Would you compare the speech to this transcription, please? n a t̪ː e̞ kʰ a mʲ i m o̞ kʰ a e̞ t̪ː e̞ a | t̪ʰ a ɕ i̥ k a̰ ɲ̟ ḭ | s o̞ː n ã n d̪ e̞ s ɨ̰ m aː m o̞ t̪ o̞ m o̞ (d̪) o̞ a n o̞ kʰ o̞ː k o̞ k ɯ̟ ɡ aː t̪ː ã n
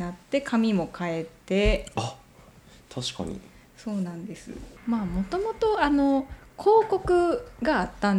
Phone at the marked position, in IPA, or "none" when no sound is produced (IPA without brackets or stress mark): t̪